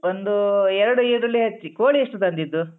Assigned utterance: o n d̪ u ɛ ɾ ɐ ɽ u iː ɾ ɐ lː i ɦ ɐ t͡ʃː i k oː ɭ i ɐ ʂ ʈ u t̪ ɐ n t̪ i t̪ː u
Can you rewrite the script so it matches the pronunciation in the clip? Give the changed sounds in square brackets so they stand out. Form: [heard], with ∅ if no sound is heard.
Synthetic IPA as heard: o n d̪ u ɛ ɾ ɐ ɽ u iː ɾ ɐ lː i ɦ ɐ t͡ʃː i k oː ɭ i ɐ ʂ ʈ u t̪ ɐ n [d̪] i [d̪ː] u